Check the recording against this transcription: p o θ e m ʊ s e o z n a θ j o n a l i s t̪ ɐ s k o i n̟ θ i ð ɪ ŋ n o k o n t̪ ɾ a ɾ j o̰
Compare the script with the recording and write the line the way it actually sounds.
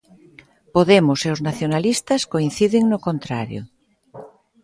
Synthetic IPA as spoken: p o ð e m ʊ s e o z n a θ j o n a l i s t̪ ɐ s k o i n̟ θ i ð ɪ ŋ n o k o n t̪ ɾ a ɾ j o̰